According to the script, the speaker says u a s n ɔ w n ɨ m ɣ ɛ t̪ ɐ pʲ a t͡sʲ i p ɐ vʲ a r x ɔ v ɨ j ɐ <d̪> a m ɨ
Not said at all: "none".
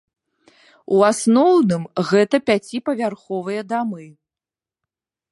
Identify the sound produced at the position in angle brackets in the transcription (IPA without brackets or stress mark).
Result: d̪